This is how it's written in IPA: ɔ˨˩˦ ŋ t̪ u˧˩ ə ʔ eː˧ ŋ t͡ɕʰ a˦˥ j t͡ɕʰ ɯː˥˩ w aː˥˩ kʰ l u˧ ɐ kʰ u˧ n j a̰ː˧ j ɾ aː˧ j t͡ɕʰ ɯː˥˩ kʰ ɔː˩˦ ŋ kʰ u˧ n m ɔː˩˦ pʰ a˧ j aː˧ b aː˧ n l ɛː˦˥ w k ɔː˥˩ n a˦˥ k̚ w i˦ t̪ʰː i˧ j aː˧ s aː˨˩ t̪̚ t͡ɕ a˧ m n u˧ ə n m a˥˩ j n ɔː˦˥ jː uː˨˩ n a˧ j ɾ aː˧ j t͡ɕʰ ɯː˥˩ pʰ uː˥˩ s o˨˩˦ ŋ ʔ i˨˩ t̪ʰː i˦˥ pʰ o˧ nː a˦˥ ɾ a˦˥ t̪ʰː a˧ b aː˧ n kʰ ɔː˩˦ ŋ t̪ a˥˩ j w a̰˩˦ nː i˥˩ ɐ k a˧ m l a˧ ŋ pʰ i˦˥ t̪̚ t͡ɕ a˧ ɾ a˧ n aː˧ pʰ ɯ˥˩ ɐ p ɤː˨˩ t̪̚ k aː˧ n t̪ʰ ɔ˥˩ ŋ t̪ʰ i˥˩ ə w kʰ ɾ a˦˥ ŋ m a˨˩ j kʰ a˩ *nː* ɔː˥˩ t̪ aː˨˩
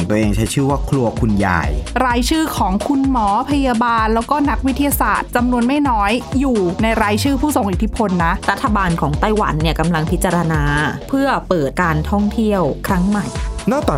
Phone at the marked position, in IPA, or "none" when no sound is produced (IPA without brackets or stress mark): n